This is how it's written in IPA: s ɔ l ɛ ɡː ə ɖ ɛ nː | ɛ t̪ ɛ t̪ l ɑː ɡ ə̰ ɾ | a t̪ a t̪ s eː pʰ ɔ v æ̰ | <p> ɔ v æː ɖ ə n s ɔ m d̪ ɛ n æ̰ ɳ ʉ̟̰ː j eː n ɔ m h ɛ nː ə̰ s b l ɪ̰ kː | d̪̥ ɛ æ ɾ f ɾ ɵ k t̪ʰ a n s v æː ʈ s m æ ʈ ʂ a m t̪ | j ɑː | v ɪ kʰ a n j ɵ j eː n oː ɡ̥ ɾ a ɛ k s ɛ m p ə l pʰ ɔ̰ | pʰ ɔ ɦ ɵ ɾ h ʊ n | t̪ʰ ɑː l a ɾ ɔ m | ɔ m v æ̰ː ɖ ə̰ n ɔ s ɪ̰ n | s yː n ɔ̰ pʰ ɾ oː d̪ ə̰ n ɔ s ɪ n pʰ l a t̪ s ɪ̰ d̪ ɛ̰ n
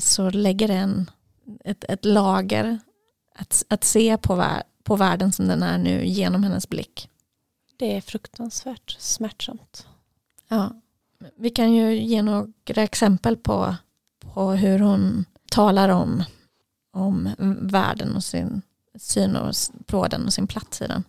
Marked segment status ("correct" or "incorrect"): incorrect